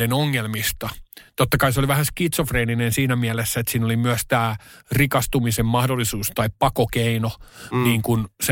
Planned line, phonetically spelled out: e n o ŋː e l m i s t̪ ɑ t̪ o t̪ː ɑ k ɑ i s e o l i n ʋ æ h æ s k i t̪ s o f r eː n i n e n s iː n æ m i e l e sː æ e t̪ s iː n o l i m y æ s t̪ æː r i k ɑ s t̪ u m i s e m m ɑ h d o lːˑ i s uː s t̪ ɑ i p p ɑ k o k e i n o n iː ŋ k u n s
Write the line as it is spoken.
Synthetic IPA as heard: e n o ŋː e l m i s t̪ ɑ t̪ o t̪ː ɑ k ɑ i s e o l i ʋ æ h æ s k i t̪ s o f r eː n i n e n s iː n æ m i æ l e sː æ e t̪ s iː n o l i m y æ s t̪ æː r i k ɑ s t̪ u m i s e m m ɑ h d o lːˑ i s uː s t̪ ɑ i p p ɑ k o k e i n o n iː ŋ k u n s